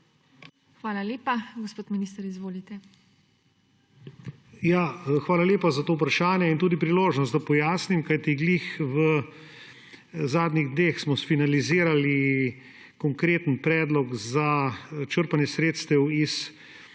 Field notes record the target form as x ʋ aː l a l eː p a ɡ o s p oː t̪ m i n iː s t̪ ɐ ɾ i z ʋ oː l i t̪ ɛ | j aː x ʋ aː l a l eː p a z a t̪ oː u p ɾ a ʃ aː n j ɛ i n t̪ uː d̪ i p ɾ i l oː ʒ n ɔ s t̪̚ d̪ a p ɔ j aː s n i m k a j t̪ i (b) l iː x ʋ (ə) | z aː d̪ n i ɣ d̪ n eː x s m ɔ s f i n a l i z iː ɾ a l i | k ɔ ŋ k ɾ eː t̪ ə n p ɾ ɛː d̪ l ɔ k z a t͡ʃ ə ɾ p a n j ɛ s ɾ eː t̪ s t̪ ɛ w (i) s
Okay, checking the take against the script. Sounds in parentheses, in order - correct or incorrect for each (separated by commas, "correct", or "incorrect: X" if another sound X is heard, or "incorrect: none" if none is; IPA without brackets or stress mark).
incorrect: ɡ, correct, correct